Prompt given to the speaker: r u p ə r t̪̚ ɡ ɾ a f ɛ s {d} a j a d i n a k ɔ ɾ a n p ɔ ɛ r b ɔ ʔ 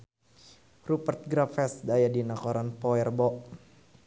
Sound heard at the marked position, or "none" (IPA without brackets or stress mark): d